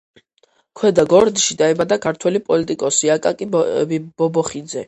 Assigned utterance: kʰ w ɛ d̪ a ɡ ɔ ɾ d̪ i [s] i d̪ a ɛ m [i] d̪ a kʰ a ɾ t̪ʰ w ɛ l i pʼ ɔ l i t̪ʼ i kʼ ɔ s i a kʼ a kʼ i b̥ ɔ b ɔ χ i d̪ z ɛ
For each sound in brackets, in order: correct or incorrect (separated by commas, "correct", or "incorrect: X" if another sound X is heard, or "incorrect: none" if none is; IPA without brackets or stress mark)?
incorrect: ʃ, incorrect: a